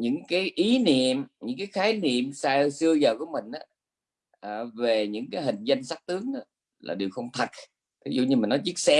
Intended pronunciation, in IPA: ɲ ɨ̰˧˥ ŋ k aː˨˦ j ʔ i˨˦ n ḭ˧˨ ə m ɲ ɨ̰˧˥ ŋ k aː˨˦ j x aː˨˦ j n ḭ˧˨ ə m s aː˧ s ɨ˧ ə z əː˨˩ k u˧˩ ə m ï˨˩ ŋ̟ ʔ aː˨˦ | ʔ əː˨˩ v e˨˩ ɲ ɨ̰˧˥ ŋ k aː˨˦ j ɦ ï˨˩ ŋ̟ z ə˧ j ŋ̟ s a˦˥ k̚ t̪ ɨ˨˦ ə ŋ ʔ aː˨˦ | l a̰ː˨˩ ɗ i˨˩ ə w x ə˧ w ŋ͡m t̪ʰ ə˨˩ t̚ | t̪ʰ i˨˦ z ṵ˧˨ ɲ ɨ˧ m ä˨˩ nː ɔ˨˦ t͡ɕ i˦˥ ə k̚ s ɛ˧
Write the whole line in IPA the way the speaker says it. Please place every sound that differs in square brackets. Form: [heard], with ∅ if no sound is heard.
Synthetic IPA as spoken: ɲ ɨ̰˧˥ ŋ k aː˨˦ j ʔ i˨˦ n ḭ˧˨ ə m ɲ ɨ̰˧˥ ŋ k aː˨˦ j x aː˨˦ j n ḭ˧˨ ə m s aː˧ s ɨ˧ ə z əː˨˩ k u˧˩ ə m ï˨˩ ŋ̟ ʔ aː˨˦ | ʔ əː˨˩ v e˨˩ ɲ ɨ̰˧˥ ŋ k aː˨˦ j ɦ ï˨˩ ŋ̟ z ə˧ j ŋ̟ s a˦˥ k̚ t̪ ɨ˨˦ ə ŋ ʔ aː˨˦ | l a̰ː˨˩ ɗ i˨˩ ə w x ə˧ w ŋ͡m t̪ʰ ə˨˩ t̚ | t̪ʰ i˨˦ z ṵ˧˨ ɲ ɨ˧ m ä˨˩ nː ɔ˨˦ t͡ɕ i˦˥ ə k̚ s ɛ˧